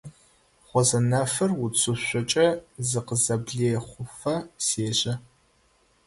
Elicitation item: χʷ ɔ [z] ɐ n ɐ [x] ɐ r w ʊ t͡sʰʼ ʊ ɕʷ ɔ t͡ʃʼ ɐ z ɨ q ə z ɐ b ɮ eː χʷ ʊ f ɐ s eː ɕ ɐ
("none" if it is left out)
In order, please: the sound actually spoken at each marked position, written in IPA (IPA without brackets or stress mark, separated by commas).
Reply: z, f